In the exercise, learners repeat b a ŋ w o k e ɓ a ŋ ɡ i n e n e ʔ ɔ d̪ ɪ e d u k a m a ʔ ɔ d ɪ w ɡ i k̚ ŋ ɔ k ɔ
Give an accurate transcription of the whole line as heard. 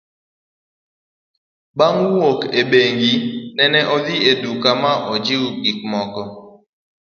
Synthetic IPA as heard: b a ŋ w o k e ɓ e ŋ ɡ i n ɛ n ɛ ʔ ɔ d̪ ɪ e d u k a m a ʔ ɔ d͡ʒ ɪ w ɡ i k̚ m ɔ k ɔ